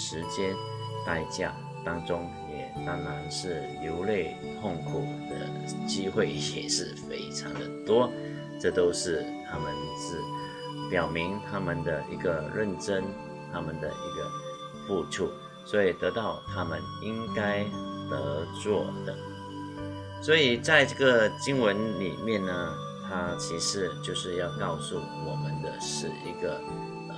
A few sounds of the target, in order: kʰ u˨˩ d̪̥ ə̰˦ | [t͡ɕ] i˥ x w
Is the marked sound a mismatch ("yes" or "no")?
no